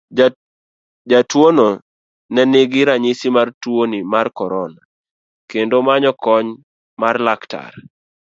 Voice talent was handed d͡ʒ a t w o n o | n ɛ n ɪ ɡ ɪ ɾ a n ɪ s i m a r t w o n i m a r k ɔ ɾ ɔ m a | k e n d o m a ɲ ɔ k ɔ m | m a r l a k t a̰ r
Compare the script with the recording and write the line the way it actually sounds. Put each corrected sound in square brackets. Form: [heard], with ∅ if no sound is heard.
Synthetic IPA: d͡ʒ a t w o n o | n ɛ n ɪ ɡ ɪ ɾ a [ɲ] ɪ s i m a r t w o n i m a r k ɔ ɾ ɔ [n] a | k e n d o m a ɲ ɔ k ɔ [ɲ] | m a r l a k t a̰ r